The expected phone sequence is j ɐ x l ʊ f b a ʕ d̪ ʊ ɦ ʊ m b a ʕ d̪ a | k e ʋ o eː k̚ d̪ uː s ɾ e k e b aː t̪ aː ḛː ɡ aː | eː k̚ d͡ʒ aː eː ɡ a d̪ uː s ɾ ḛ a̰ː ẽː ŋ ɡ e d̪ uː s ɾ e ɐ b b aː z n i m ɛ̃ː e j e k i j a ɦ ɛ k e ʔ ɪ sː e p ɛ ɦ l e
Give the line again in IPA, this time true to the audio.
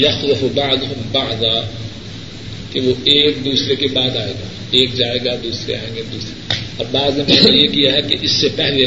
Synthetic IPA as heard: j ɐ x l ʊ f b a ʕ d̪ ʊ ɦ ʊ m b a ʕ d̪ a | k e ʋ o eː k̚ d̪ uː s ɾ e k e b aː d̪ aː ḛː ɡ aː | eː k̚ d͡ʒ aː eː ɡ a d̪ uː s ɾ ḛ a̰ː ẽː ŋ ɡ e d̪ uː s ɾ e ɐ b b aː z n e m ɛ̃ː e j e k i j a ɦ ɛ k e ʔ ɪ sː e p ɛ ɦ l e